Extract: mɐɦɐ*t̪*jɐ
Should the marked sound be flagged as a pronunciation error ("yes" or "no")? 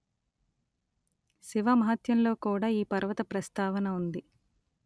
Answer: no